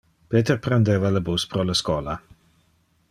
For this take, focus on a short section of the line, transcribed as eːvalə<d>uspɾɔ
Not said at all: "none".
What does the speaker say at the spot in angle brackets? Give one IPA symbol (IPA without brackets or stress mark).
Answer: b